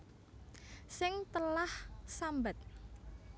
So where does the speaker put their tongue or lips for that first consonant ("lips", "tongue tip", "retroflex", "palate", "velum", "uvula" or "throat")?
tongue tip